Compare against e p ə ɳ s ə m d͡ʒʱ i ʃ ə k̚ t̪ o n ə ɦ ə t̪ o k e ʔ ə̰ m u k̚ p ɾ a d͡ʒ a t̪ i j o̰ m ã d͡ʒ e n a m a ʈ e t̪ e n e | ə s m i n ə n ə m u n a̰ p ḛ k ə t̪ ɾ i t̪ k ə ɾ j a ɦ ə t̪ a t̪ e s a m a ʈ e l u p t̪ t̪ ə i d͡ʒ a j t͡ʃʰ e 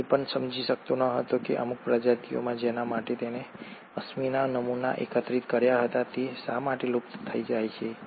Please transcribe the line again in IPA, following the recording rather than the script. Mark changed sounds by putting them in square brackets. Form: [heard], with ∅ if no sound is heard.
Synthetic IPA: e p ə ɳ s ə m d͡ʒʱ i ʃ ə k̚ t̪ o n ə ɦ ə t̪ o k e ʔ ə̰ m u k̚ p ɾ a d͡ʒ a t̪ i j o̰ m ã d͡ʒ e n a m a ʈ e t̪ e n e | ə s m i n [a] n ə m u n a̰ [ʔ] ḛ k ə t̪ ɾ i t̪ k ə ɾ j a ɦ ə t̪ a t̪ e s a m a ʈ e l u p t̪ [t̪ʰ] ə i d͡ʒ a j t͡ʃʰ e